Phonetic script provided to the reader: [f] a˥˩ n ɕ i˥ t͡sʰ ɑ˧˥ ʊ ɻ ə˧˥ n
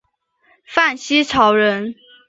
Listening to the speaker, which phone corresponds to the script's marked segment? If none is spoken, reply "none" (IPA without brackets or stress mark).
f